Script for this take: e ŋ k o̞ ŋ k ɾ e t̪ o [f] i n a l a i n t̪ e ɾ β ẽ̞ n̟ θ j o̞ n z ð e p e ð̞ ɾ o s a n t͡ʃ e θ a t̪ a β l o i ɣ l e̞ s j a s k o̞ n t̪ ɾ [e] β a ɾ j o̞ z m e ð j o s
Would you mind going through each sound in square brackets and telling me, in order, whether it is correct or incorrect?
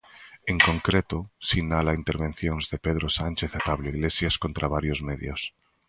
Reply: incorrect, incorrect

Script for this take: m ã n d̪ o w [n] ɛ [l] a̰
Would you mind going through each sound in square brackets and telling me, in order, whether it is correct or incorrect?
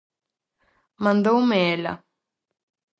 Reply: incorrect, correct

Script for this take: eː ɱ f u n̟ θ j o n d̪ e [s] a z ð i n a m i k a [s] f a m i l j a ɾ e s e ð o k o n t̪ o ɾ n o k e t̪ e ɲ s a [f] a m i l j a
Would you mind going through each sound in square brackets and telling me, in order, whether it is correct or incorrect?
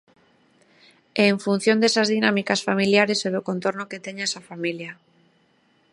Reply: correct, correct, correct

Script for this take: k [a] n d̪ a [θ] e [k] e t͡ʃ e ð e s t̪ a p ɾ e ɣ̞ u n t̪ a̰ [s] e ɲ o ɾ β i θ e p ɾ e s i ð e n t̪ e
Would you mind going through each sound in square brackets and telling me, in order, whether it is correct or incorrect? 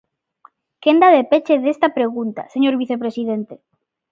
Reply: incorrect, incorrect, incorrect, correct

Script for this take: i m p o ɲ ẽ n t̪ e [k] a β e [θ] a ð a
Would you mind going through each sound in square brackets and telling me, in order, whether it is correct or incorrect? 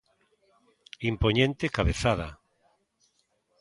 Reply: correct, correct

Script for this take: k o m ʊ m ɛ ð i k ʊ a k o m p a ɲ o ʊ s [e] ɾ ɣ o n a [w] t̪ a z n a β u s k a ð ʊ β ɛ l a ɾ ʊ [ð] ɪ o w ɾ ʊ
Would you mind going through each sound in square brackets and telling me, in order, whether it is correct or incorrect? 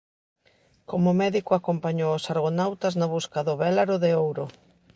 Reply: incorrect, correct, correct

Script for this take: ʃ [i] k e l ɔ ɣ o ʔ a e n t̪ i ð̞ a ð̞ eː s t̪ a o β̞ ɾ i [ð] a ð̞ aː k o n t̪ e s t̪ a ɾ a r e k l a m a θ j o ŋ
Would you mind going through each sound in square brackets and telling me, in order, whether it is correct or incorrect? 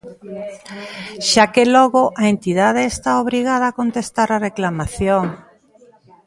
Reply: incorrect, incorrect

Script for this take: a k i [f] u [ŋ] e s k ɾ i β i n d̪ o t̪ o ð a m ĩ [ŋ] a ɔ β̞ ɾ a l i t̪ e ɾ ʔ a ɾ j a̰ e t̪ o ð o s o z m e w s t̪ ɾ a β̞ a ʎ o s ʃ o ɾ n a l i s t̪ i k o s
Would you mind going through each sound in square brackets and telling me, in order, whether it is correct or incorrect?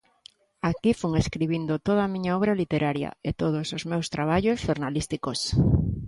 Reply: correct, correct, incorrect

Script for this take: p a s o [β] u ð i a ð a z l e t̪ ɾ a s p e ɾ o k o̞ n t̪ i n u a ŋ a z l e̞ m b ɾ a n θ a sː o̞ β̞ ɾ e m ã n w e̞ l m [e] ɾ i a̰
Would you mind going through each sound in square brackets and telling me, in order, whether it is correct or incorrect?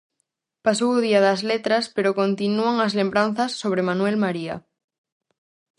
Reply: incorrect, incorrect

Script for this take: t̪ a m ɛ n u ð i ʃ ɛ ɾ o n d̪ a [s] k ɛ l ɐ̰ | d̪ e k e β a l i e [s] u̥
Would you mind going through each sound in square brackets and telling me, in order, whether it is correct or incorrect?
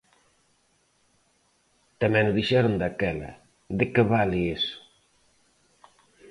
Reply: incorrect, correct

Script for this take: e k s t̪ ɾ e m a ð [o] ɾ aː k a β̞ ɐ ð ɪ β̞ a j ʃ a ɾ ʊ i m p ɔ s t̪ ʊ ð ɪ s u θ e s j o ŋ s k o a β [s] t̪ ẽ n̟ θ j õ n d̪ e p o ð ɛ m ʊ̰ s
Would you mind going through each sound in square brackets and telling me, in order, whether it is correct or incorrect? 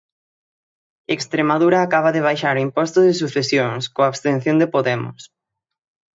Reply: incorrect, correct

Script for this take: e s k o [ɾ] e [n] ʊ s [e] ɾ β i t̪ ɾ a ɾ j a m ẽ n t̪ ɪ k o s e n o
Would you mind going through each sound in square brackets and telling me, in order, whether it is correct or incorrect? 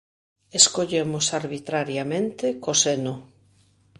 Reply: incorrect, incorrect, incorrect

